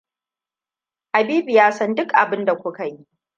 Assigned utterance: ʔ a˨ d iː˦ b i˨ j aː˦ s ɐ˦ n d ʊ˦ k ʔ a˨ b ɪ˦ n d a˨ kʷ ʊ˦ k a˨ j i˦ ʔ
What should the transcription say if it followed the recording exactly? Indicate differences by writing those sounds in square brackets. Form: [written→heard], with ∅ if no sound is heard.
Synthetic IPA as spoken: ʔ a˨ [d→b] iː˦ b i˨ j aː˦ s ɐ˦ n d ʊ˦ k ʔ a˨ b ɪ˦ n d a˨ kʷ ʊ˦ k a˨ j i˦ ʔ